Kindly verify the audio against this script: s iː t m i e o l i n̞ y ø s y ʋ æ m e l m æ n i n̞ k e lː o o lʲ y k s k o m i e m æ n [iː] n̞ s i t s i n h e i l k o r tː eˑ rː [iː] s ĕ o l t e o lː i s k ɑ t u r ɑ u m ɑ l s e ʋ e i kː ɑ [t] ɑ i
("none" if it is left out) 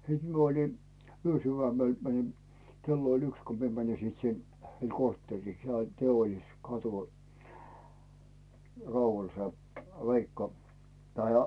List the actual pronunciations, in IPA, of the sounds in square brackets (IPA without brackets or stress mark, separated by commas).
i, iː, t